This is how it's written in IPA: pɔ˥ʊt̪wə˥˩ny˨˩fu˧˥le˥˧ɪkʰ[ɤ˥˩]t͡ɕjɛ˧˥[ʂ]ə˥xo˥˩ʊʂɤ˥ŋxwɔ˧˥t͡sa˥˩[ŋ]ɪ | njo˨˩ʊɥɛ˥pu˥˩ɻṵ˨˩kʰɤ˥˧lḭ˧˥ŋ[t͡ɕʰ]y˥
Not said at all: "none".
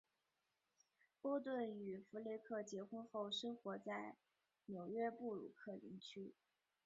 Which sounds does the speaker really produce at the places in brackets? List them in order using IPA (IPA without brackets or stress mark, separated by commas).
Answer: ɤ˥˩, x, none, t͡ɕʰ